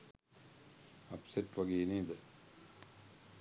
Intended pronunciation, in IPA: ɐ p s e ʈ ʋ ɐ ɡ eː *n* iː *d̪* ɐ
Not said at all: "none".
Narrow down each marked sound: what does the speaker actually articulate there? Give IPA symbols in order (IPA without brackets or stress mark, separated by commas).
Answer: n, d̪